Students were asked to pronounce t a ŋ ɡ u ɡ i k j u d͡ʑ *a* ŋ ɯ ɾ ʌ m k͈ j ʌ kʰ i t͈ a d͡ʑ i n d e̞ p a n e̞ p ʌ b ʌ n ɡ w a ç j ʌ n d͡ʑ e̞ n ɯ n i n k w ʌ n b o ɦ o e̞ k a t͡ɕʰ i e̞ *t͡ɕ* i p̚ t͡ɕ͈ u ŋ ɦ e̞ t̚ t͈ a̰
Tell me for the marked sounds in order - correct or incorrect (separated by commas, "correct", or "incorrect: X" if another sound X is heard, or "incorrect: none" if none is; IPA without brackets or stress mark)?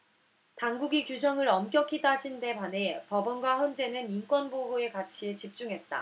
incorrect: ʌ, correct